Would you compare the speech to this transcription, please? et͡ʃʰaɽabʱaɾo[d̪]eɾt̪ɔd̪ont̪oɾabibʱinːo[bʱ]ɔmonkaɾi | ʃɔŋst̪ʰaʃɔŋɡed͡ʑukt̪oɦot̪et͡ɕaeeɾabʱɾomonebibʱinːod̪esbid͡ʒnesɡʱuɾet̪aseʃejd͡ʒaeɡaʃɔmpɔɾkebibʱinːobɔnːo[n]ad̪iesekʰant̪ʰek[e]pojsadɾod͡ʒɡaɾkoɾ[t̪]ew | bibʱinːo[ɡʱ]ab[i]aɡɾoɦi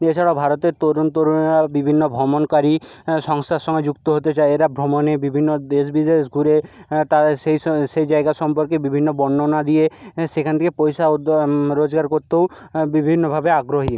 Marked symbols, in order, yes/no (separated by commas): no, yes, yes, yes, yes, no, no